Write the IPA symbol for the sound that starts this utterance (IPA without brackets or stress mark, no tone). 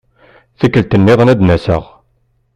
θ